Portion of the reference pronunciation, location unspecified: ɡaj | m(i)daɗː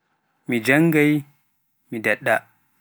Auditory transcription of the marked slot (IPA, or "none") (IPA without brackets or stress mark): i